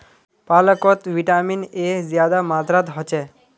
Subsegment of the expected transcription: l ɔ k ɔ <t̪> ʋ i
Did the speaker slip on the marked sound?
no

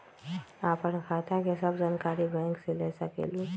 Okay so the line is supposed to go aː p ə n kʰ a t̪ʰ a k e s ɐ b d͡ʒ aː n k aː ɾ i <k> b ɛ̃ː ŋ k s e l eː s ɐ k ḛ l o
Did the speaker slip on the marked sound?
yes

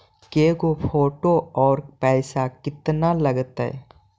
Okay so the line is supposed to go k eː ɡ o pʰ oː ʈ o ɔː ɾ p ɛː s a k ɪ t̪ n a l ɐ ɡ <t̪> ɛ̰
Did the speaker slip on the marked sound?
no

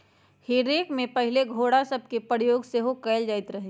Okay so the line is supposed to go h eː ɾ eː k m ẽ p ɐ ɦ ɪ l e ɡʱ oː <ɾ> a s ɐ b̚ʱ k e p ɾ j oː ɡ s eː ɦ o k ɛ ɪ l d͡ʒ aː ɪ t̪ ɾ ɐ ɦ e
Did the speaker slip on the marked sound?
yes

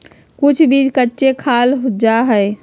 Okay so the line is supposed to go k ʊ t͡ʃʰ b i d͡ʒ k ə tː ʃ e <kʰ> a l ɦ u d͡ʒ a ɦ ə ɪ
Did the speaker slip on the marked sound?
no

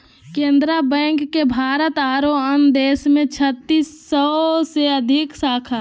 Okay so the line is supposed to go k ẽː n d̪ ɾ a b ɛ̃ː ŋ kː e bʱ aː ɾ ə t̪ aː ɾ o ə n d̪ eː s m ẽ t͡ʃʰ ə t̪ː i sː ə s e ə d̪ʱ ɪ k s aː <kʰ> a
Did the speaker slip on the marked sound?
no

